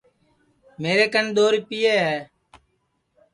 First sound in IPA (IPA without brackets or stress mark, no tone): m